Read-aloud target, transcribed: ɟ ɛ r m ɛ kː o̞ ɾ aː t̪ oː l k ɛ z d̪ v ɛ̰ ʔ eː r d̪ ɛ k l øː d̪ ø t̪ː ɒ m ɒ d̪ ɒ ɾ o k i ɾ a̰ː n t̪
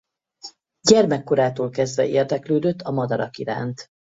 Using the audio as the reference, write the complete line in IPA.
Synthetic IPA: ɟ ɛ r m ɛ kː o̞ ɾ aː t̪ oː l k ɛ z d̪ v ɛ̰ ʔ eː r d̪ ɛ k l øː d̪ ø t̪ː ɒ m ɒ d̪ ɒ ɾ ɒ k i ɾ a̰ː n t̪